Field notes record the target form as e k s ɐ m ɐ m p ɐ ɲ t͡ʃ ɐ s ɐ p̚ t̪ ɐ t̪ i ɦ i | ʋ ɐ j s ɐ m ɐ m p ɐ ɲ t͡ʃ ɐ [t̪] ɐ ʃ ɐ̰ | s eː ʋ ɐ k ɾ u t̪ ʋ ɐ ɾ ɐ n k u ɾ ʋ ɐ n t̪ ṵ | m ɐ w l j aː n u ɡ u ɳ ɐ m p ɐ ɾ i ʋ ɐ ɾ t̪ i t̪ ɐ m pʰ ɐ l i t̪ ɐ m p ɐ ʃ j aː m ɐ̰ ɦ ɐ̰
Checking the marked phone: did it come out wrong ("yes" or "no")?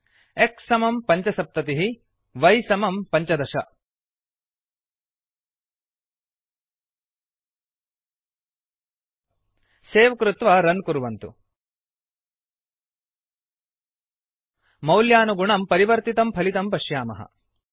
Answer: yes